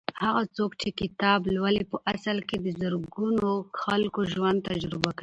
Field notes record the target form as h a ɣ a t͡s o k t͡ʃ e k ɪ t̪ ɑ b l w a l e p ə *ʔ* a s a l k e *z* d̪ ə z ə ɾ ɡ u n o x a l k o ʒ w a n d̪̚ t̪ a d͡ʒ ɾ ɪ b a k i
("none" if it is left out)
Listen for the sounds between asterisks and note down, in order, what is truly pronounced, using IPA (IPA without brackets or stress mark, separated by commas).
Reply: ʔ, none